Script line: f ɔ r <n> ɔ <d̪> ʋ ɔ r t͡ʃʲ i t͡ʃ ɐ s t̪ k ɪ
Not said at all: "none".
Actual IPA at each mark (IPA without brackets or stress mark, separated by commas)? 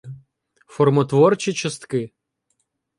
m, t̪